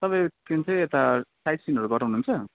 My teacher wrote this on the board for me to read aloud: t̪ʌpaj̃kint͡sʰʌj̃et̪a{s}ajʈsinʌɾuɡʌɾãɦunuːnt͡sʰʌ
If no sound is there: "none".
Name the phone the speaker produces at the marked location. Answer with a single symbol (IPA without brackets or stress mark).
s